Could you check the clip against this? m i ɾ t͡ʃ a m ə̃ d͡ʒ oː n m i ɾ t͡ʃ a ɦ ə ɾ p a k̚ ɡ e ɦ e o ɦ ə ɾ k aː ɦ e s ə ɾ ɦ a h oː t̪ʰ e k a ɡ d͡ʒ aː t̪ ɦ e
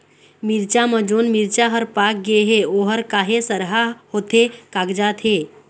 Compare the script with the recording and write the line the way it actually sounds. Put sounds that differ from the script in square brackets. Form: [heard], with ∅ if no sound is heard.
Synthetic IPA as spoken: m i ɾ t͡ʃ a m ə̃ d͡ʒ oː n m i ɾ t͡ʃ a ɦ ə ɾ p a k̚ ɡ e ɦ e o ɦ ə ɾ k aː ɦ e s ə ɾ ɦ a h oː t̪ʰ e k a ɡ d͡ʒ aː t̪ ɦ e